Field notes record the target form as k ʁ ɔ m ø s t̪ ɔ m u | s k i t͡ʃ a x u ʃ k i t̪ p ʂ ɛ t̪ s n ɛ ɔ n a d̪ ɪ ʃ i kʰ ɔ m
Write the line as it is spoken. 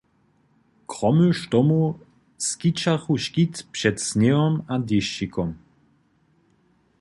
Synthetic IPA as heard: k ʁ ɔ m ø ʃ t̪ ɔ m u | s k i t͡ʃ a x u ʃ k i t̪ p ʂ ɛ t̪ s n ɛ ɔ m a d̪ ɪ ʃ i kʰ ɔ m